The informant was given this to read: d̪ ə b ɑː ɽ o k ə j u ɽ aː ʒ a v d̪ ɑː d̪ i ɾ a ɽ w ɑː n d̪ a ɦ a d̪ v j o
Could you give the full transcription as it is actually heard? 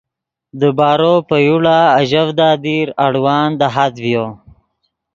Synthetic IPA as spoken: d̪ ə b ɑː ɾ o p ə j u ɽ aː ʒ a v d̪ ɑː d̪ i ɾ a ɽ w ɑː n d̪ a ɦ a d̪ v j o